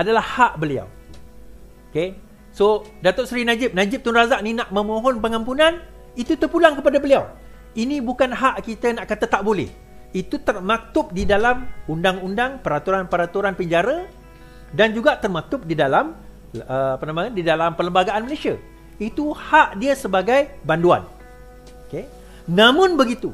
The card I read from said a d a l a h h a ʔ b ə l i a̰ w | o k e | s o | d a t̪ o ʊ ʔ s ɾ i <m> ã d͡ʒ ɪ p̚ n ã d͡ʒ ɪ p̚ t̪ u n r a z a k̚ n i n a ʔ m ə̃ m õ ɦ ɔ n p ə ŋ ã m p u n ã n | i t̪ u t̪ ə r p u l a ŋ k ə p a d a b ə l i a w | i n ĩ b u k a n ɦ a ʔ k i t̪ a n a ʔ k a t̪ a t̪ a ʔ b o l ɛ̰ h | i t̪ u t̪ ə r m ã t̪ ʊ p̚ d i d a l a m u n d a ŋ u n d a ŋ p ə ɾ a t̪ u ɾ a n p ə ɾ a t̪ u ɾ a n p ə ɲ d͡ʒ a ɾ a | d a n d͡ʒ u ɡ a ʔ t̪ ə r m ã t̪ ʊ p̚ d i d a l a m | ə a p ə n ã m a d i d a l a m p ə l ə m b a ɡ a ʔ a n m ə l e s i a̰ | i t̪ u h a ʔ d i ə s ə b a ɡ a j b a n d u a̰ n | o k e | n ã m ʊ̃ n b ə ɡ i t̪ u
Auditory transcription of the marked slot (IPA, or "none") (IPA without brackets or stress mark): n